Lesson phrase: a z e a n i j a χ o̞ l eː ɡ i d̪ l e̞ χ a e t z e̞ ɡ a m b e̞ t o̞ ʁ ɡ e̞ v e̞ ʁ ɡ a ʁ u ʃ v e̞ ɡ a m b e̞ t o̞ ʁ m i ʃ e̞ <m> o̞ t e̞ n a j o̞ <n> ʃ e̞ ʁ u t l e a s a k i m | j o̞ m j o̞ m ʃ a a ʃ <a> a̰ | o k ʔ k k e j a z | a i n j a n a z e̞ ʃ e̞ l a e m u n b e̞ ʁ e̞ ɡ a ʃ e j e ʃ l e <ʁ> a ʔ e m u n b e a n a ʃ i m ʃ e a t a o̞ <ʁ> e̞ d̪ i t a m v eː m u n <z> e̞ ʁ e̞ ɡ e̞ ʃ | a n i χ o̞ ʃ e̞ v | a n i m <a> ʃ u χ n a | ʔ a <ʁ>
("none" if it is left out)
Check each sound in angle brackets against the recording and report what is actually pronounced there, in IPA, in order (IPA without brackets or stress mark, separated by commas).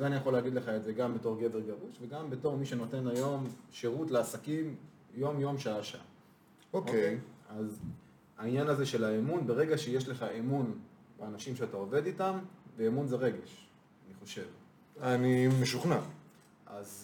n, m, a, χ, v, z, e, z